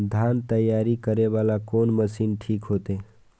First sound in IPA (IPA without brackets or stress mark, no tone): d̪ʱ